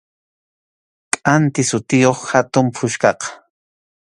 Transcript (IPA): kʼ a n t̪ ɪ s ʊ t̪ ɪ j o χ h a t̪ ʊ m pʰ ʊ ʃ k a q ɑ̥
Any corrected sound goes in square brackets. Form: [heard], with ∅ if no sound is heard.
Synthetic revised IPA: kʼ a n t̪ ɪ s ʊ t̪ ɪ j o χ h a t̪ ʊ m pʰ ʊ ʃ k [ɑ] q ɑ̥

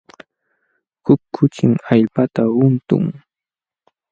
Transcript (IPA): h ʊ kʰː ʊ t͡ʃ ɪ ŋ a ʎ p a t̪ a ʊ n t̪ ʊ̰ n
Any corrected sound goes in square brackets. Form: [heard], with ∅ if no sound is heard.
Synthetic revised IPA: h ʊ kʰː ʊ t͡ʃ ɪ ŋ a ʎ p a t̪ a ʊ n t̪ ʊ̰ [ŋ]

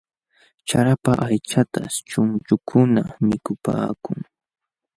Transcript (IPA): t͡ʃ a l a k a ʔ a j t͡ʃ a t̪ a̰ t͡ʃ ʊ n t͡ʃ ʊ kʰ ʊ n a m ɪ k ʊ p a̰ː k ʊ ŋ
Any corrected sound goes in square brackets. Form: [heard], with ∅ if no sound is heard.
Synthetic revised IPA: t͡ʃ a [ɾ] a [p] a ʔ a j t͡ʃ a t̪ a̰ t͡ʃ ʊ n t͡ʃ ʊ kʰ ʊ n a m ɪ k ʊ p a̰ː k ʊ ŋ

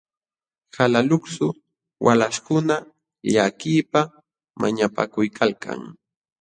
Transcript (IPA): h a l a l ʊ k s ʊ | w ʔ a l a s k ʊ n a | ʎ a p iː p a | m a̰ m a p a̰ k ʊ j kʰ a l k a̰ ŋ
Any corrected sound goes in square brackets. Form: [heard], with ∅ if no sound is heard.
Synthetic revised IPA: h a l a l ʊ k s ʊ | w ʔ a l a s k ʊ n a | ʎ a [k] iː p a | m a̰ [ɲ] a p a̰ k ʊ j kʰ a l k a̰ ŋ

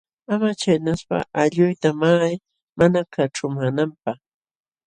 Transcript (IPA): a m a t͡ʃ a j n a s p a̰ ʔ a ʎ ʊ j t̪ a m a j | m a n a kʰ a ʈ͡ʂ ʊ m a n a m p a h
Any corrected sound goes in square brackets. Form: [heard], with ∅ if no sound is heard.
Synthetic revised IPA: a m a t͡ʃ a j n a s p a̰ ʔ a ʎ ʊ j t̪ a m a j | m a n a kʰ a ʈ͡ʂ ʊ m a n a m p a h

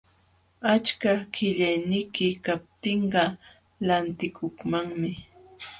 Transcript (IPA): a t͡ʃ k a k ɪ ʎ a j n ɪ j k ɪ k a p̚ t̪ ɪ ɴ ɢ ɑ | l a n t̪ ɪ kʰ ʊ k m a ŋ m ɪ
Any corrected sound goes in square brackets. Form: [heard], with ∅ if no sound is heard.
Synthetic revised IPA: a t͡ʃ k a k ɪ ʎ a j n ɪ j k ɪ k a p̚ t̪ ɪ ɴ ɢ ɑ | l a n t̪ ɪ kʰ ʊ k m a ŋ m ɪ

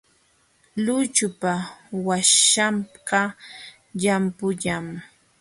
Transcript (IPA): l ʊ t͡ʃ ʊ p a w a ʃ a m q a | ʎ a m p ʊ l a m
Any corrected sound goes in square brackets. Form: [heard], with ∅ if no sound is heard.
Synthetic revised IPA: l ʊ t͡ʃ ʊ p a w a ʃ a m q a | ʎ a m p ʊ [ʎ] a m

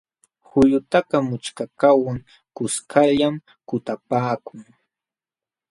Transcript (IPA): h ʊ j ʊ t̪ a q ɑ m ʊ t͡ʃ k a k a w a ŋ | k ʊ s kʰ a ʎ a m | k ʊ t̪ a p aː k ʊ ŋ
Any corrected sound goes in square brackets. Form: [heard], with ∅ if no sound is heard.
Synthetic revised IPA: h ʊ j ʊ t̪ a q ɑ m ʊ t͡ʃ k a k a w a ŋ | k ʊ s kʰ a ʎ a m | k ʊ t̪ a p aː k ʊ ŋ

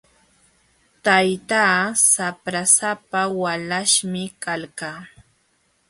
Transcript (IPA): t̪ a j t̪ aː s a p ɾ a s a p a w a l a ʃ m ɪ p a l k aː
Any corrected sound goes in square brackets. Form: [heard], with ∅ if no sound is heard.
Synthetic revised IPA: t̪ a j t̪ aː s a p ɾ a s a p a w a l a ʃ m ɪ [k] a l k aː

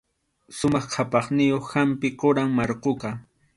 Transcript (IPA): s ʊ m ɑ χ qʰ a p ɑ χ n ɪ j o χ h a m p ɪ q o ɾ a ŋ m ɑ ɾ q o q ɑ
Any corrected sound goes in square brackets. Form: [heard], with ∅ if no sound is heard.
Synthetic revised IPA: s ʊ m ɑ χ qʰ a p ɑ χ n ɪ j o χ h a m p ɪ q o ɾ a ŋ m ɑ ɾ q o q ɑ

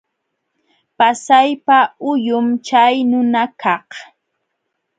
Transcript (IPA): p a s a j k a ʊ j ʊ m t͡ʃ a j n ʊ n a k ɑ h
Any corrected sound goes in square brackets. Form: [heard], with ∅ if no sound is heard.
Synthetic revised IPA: p a s a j [p] a ʊ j ʊ m t͡ʃ a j n ʊ n a k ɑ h

